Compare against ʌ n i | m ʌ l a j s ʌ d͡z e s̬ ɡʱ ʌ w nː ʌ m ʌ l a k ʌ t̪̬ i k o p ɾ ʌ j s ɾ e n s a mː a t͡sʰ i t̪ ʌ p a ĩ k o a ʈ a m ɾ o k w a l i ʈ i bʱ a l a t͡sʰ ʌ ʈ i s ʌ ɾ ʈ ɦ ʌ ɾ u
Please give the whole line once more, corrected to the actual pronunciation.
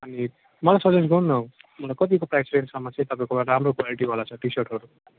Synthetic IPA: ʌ n i | m ʌ l a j s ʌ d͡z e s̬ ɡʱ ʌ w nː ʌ m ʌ l a k ʌ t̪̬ i k o p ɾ a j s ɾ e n s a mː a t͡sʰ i t̪ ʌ p a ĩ k o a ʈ a m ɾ o k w a l i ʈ i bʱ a l a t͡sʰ ʌ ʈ i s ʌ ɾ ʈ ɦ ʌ ɾ u